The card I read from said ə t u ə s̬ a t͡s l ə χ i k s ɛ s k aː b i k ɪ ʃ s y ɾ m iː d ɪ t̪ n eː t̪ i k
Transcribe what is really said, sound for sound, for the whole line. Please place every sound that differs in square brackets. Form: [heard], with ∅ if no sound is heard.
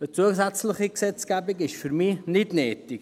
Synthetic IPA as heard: ə [t͡s] u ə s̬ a t͡s l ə χ i k s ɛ [t͡s] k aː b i k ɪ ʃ [f] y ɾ m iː [n] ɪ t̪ n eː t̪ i k